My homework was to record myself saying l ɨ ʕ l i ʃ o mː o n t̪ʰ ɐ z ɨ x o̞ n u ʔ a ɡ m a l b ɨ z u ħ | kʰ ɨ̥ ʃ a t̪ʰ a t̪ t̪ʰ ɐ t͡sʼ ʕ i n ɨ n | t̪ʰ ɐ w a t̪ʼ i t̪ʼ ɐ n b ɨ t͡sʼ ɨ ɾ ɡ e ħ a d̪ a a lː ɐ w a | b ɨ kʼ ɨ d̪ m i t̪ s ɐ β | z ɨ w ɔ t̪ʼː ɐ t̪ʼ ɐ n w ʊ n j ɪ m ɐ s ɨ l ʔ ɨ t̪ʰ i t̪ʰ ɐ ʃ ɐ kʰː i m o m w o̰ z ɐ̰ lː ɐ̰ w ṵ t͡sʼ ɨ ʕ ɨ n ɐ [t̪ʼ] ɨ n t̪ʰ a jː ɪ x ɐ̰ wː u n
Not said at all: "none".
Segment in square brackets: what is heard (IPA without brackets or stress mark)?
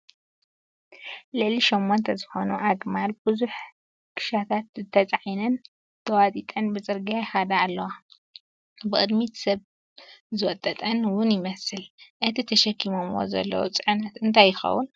t̪